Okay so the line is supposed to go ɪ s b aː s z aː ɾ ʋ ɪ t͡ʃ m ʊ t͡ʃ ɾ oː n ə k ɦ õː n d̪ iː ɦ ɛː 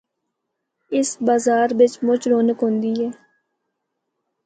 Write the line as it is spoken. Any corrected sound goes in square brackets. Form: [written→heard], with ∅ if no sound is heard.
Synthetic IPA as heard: ɪ s b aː [s→∅] z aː ɾ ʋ ɪ t͡ʃ m ʊ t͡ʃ ɾ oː n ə k ɦ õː n d̪ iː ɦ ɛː